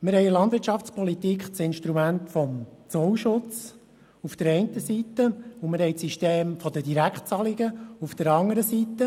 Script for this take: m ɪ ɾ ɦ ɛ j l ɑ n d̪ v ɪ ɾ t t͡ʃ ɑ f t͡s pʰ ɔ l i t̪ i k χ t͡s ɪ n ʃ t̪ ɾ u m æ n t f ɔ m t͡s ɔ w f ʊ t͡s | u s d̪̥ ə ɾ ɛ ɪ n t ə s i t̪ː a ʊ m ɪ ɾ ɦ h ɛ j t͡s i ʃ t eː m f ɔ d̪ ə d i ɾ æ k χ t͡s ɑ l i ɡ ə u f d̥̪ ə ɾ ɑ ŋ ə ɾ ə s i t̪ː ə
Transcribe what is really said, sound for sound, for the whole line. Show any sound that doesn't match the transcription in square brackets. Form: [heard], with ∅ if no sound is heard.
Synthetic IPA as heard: m ɪ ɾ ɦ ɛ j l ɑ n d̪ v ɪ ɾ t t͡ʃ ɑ f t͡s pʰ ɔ l i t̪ i k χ t͡s ɪ n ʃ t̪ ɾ u m æ n t f ɔ m t͡s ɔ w [ʃ] ʊ t͡s | u [f] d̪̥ ə ɾ ɛ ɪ n t ə s i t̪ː [ə] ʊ m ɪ ɾ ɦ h ɛ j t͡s i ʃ t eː m f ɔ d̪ ə d i ɾ æ k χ t͡s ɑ l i ɡ ə u f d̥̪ ə ɾ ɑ ŋ ə ɾ ə s i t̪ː ə